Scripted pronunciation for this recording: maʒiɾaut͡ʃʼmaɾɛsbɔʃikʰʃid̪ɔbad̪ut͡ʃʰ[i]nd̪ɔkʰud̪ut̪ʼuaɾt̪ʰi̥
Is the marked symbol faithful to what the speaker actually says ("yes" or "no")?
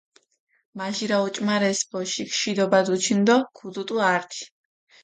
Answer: yes